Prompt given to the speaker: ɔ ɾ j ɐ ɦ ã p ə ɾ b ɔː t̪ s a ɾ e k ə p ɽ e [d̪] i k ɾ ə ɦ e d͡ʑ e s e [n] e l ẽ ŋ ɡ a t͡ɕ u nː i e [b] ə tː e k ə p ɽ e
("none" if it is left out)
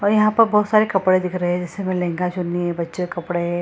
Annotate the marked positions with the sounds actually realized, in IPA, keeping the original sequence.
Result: d̪, m, b

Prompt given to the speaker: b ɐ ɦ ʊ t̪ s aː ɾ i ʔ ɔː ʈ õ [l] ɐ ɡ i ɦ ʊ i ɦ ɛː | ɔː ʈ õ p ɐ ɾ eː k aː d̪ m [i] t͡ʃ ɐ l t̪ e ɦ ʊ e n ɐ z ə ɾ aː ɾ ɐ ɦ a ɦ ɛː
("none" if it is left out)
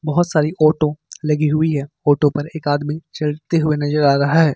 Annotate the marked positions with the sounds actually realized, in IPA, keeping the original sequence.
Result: l, i

